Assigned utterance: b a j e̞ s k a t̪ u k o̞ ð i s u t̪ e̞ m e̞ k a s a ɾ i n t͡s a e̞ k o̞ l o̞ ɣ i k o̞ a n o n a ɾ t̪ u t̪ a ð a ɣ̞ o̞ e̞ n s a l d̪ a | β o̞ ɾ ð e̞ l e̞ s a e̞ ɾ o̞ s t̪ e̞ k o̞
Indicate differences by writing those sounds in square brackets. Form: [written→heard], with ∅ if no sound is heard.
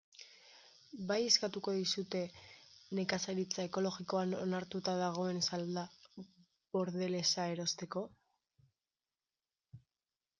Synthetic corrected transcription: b a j e̞ s k a t̪ u k o̞ ð i s u t̪ e̞ [m→n] e̞ k a s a ɾ i [n→∅] t͡s a e̞ k o̞ l o̞ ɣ i k o̞ a n o n a ɾ t̪ u t̪ a ð a ɣ̞ o̞ e̞ n s a l d̪ a | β o̞ ɾ ð e̞ l e̞ s a e̞ ɾ o̞ s t̪ e̞ k o̞

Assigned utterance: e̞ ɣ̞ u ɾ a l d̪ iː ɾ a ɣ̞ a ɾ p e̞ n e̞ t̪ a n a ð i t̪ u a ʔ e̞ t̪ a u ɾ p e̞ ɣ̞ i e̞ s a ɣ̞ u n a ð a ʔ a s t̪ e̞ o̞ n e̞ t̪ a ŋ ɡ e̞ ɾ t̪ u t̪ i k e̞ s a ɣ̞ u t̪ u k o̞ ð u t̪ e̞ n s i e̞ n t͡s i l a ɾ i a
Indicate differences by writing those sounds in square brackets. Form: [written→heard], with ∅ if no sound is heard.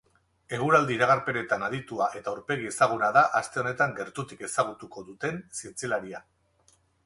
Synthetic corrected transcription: e̞ ɣ̞ u ɾ a l d̪ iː ɾ a ɣ̞ a ɾ p e̞ n e̞ t̪ a n a ð i t̪ u a ʔ e̞ t̪ a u ɾ p e̞ ɣ̞ i e̞ s a ɣ̞ u n a ð a ʔ a s t̪ e̞ o̞ n e̞ t̪ a ŋ ɡ e̞ ɾ t̪ u t̪ i k e̞ s a ɣ̞ u t̪ u k o̞ ð u t̪ e̞ n s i e̞ n t͡s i l a ɾ i a

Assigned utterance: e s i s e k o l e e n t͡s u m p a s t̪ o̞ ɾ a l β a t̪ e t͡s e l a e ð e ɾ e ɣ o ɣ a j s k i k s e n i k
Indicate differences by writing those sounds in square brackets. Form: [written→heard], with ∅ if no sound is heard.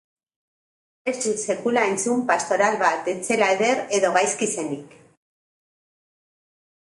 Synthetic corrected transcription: e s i s e k [o→u] l [e→a] e n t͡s u m p a s t̪ o̞ ɾ a l β a t̪ e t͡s e l a e ð e ɾ e [ɣ→ð] o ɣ a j s k i [k→∅] s e n i k

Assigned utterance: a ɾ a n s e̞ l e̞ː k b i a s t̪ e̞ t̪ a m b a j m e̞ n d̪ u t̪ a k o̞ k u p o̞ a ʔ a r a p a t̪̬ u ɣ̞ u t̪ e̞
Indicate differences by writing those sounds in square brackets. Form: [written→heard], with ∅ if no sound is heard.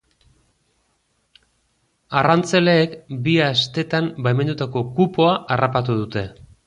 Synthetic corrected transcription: a [ɾ→r] a n [s→t͡s] e̞ l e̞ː k b i a s t̪ e̞ t̪ a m b a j m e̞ n d̪ u t̪ a k o̞ k u p o̞ a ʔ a r a p a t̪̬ u [ɣ̞→ð̞] u t̪ e̞

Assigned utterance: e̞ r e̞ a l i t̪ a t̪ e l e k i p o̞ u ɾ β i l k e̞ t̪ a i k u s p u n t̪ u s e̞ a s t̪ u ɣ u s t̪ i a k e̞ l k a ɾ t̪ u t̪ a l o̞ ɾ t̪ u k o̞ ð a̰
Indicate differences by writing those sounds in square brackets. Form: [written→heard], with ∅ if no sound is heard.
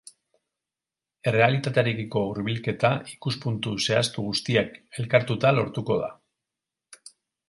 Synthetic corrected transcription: e̞ r e̞ a l i t̪ a t̪ e [l→ɾ] e k i [p→k] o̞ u ɾ β i l k e̞ t̪ a i k u s p u n t̪ u s e̞ a s t̪ u ɣ u s t̪ i a k e̞ l k a ɾ t̪ u t̪ a l o̞ ɾ t̪ u k o̞ ð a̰

